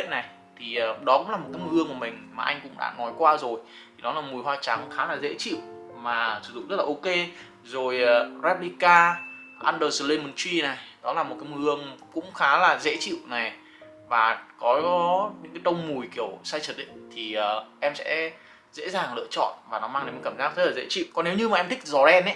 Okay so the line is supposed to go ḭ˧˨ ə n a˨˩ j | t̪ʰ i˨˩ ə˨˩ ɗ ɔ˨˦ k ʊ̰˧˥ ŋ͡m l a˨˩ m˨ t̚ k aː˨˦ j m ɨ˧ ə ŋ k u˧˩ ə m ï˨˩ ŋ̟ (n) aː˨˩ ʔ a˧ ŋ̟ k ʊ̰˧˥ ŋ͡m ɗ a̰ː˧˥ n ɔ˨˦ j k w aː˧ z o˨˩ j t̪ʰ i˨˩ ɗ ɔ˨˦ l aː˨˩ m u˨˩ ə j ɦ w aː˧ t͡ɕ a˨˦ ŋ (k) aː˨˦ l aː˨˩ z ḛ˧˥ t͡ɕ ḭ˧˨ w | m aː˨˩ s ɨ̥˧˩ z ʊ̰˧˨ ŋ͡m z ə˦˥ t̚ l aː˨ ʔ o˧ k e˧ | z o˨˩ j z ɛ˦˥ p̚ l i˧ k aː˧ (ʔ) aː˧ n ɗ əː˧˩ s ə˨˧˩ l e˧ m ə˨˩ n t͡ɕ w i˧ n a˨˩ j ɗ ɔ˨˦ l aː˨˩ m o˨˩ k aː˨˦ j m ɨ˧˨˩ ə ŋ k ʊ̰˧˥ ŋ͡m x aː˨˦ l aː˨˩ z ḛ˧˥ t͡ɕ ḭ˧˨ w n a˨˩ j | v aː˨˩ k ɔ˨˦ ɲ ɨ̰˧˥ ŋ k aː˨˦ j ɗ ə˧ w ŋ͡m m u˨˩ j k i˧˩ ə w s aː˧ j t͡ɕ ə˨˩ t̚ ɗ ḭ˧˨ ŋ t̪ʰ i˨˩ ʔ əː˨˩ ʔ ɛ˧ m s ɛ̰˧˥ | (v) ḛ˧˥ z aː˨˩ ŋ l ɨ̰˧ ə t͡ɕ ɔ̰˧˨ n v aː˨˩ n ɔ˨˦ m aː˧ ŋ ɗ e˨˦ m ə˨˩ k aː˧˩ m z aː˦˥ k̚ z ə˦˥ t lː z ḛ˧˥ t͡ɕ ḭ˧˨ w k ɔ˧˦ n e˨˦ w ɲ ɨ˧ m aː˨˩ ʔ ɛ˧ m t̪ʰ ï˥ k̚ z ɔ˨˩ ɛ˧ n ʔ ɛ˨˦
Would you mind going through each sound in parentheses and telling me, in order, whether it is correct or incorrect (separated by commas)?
incorrect, incorrect, correct, incorrect